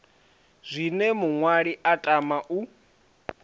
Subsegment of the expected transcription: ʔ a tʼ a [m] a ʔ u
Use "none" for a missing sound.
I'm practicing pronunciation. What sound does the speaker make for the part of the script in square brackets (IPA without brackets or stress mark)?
m